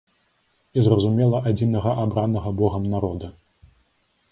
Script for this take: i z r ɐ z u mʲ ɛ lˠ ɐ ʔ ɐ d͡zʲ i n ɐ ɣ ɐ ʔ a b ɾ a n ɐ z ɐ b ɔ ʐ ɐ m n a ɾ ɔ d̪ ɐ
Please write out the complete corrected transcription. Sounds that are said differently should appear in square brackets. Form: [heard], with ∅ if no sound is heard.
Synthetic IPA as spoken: i z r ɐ z u mʲ ɛ lˠ ɐ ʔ [a] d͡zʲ i n ɐ ɣ ɐ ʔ a b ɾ a n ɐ [ɣ] ɐ b ɔ [ɣ] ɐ m n a ɾ ɔ d̪ ɐ